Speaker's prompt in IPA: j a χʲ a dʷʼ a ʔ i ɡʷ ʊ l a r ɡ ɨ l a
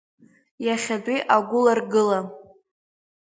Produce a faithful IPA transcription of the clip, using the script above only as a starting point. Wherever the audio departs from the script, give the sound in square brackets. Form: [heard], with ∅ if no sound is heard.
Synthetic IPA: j a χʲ a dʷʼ [i] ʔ [a] ɡʷ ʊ l a r ɡ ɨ l a